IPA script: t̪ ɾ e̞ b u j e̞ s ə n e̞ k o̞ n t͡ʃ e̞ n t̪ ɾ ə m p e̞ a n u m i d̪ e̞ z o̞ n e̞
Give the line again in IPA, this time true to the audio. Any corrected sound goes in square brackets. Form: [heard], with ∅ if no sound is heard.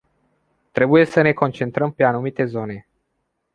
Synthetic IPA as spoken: t̪ ɾ e̞ b u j e̞ s ə n e̞ k o̞ n t͡ʃ e̞ n t̪ ɾ ə m p e̞ a n u m i [t̪] e̞ z o̞ n e̞